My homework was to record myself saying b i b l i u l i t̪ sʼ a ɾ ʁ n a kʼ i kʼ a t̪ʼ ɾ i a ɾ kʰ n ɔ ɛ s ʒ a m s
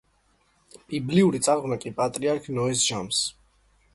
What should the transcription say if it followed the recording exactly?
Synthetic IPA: b i b l i u ɾ i t̪ sʼ a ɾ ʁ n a kʼ i pʼ a t̪ʼ ɾ i a ɾ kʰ n ɔ ɛ s ʒ a m s

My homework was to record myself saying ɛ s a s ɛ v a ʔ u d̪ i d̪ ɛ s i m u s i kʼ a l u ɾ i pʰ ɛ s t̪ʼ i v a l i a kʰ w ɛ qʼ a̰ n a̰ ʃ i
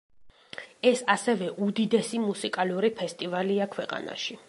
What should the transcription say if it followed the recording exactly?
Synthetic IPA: ɛ s a s ɛ v ɛ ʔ u d̪ i d̪ ɛ s i m u s i kʼ a l u ɾ i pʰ ɛ s t̪ʼ i v a l i a kʰ w ɛ qʼ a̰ n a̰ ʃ i

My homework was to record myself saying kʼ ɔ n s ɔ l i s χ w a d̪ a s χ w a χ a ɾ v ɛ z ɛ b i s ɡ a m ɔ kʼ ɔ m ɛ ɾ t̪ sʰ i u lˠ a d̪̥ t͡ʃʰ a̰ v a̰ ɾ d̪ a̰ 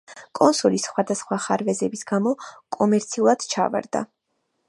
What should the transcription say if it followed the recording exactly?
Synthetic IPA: kʼ ɔ n s ɔ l i s χ w a d̪ a s χ w a χ a ɾ v ɛ z ɛ b i s ɡ a m ɔ kʼ ɔ m ɛ ɾ t̪ sʰ i u lˠ a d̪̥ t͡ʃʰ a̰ v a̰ ɾ d̪ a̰

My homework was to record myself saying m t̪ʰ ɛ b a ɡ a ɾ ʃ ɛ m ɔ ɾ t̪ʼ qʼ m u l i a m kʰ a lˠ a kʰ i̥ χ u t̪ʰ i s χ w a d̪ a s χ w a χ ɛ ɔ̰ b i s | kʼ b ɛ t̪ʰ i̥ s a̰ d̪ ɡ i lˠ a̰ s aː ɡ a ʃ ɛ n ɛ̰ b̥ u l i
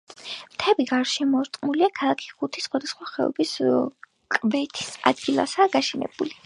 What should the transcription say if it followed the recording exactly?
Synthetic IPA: m t̪ʰ ɛ b i ɡ a ɾ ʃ ɛ m ɔ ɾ t̪ʼ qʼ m u l i a kʰ a lˠ a kʰ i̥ χ u t̪ʰ i s χ w a d̪ a s χ w a χ ɛ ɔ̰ b i s | kʼ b ɛ t̪ʰ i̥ s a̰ d̪ ɡ i lˠ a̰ s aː ɡ a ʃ ɛ n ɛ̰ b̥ u l i

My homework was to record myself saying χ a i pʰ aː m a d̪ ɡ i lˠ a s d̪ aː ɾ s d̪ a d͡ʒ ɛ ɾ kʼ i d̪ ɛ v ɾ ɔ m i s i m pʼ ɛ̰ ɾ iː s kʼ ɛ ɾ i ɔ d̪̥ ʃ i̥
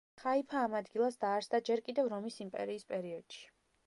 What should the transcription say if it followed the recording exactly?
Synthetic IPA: χ a i pʰ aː m a d̪ ɡ i lˠ a s d̪ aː ɾ s d̪ a d͡ʒ ɛ ɾ kʼ i d̪ ɛ v ɾ ɔ m i s i m pʼ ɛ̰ ɾ iː s pʼ ɛ ɾ i ɔ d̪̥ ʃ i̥

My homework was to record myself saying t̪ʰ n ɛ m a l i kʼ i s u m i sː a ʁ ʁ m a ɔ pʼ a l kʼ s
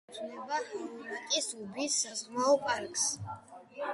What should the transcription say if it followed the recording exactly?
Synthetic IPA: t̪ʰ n ɛ b a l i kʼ i s u b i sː a z ʁ m a ɔ pʼ a ɾ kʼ s

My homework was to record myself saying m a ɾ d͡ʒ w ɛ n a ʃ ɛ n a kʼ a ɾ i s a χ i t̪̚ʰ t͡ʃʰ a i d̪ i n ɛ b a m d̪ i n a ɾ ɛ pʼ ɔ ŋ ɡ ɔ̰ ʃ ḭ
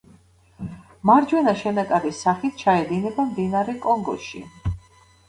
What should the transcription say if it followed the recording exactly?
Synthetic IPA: m a ɾ d͡ʒ w ɛ n a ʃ ɛ n a kʼ a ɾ i s a χ i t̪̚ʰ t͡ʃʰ a ɛ d̪ i n ɛ b a m d̪ i n a ɾ ɛ kʼ ɔ ŋ ɡ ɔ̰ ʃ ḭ

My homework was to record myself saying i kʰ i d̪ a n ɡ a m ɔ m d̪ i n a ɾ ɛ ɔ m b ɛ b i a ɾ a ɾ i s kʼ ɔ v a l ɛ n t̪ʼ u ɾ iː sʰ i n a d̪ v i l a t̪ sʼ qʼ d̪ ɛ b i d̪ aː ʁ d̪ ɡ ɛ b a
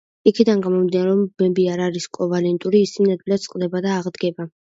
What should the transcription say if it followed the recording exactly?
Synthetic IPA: i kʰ i d̪ a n ɡ a m ɔ m d̪ i n a ɾ ɛ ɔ m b ɛ b i a ɾ a ɾ i s kʼ ɔ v a l ɛ n t̪ʼ u ɾ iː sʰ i n a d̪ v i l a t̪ sʼ qʼ d̪ ɛ b a d̪ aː ʁ d̪ ɡ ɛ b a

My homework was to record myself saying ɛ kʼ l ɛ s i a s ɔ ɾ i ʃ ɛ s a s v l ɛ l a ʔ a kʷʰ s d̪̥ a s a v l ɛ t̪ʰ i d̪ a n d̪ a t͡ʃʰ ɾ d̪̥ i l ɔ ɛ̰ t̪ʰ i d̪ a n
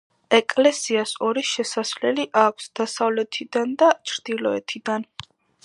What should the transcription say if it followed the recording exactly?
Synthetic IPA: ɛ kʼ l ɛ s i a s ɔ ɾ i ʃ ɛ s a s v l ɛ l i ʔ a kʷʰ s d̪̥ a s a v l ɛ t̪ʰ i d̪ a n d̪ a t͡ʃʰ ɾ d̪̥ i l ɔ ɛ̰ t̪ʰ i d̪ a n

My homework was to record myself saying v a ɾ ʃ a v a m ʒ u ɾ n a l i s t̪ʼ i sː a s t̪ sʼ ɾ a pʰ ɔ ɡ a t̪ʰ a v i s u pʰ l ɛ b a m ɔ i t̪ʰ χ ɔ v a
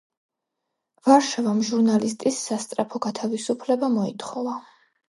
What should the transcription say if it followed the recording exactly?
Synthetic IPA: v a ɾ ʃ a v a m ʒ u ɾ n a l i s t̪ʼ i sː a s t̪ sʼ ɾ a pʰ ɔ ɡ a t̪ʰ a v i s u pʰ l ɛ b a m ɔ i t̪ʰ χ ɔ v a

